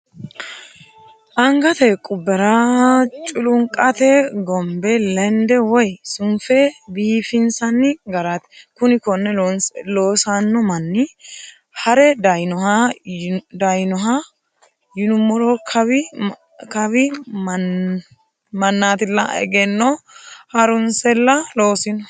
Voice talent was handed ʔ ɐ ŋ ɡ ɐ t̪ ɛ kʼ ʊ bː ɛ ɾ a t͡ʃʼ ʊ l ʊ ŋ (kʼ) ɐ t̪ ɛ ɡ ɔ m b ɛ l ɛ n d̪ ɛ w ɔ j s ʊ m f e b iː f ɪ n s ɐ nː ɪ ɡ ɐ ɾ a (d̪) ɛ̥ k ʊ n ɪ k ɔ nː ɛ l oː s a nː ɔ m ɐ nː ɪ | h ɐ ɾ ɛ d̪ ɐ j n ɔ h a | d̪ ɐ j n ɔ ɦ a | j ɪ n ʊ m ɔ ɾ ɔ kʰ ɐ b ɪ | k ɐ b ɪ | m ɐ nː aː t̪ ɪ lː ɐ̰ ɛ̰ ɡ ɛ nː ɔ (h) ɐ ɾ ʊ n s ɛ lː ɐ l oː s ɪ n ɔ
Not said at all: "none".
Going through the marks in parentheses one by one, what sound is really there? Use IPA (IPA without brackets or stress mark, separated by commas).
kʼ, t̪, h